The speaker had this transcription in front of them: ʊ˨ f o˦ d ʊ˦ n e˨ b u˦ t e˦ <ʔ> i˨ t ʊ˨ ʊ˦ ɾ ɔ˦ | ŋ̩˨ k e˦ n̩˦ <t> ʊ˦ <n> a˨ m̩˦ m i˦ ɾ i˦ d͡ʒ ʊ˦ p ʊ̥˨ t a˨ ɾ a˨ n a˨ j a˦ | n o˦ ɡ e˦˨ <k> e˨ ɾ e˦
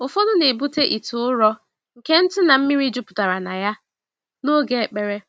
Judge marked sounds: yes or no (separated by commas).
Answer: yes, yes, yes, no